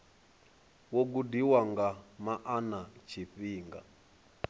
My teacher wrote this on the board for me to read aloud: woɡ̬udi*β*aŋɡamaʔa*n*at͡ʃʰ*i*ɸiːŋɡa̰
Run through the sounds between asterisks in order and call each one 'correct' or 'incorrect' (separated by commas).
incorrect, correct, correct